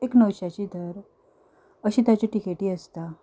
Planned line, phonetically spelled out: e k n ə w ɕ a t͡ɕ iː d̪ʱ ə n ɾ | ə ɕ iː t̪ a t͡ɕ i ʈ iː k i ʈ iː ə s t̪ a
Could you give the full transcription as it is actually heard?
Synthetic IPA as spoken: e k n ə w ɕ a t͡ɕ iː d̪ʱ ə ɾ | ə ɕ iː t̪ a t͡ɕ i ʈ i k e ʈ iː ə s t̪ a